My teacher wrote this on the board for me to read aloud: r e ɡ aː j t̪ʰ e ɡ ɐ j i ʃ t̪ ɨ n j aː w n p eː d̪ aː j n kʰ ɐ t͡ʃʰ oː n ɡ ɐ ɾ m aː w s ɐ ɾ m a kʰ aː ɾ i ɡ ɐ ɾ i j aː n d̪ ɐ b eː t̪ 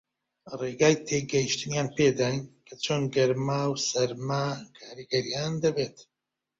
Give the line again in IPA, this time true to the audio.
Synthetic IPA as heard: r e ɡ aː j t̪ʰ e ɡ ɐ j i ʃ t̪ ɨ n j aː n p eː d̪ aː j n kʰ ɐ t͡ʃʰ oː n ɡ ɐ ɾ m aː w s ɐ ɾ m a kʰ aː ɾ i ɡ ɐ ɾ i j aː n d̪ ɐ b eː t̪